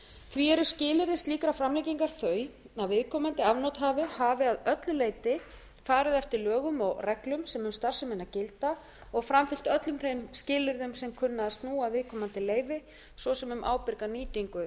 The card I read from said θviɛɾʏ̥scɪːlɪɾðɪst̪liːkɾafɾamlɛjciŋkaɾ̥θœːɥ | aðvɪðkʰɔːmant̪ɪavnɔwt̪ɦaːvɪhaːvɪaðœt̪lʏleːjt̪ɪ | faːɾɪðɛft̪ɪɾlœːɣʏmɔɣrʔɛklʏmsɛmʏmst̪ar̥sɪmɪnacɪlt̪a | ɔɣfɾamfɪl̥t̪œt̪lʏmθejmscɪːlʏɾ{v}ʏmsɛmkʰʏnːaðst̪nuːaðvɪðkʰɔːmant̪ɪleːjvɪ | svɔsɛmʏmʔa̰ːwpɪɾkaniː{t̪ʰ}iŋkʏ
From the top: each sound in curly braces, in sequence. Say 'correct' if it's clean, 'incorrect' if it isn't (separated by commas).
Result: incorrect, incorrect